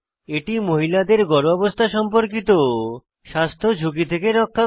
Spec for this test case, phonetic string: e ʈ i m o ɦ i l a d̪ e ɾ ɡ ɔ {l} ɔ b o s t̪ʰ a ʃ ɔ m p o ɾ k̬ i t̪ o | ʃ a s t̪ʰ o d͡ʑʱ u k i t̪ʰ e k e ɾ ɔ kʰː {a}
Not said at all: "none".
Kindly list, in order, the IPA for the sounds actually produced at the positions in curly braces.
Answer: ɾ, a

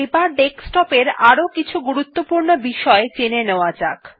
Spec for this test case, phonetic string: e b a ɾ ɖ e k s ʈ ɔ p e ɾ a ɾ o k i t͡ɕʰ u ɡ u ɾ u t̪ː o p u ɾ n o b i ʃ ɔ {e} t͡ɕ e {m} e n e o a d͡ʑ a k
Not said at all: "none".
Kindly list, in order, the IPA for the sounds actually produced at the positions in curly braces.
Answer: e, n

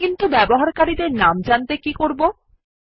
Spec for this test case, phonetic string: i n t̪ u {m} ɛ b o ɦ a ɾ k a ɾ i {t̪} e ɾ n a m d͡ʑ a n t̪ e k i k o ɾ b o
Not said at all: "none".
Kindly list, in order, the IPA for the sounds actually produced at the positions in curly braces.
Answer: b, d̪

